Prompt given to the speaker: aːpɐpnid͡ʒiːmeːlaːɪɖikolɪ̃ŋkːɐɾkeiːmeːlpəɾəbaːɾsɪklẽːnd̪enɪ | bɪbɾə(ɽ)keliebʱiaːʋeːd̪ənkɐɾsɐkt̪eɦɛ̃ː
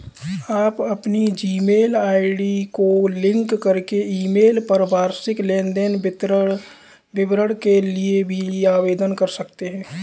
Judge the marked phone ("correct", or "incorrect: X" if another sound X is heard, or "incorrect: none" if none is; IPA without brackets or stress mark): correct